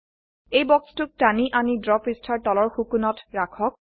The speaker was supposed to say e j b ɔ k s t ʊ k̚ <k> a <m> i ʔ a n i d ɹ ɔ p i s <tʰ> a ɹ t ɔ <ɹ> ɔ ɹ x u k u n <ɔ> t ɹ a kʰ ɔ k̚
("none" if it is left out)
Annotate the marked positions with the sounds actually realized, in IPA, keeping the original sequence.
t, n, tʰ, l, ɔ

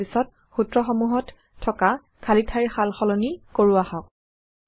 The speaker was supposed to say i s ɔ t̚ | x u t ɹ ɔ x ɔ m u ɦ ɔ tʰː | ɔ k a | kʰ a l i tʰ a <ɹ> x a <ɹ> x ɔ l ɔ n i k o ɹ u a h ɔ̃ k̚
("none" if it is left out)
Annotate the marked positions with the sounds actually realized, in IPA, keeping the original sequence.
ɹ, l

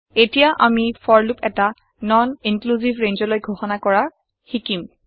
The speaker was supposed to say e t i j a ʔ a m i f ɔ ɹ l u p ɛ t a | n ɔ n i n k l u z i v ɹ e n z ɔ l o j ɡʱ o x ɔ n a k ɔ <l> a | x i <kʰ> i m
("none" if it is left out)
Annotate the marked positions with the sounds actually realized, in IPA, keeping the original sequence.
ɹ, k

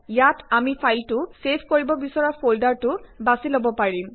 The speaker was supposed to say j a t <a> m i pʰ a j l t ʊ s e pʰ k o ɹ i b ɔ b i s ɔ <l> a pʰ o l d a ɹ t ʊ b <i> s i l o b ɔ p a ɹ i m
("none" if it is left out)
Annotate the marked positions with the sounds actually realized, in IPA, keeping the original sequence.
a, ɹ, a

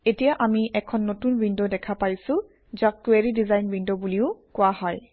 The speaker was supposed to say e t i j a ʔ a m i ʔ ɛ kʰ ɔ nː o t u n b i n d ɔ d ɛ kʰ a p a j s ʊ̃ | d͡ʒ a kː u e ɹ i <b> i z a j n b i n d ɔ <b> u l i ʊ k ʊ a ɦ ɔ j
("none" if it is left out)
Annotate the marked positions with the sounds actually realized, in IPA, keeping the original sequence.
d, b

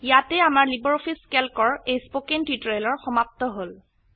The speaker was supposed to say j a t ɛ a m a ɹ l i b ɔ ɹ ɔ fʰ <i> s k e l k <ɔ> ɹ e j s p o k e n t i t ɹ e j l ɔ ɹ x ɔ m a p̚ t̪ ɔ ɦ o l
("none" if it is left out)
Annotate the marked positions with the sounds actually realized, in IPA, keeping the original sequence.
i, ɔ

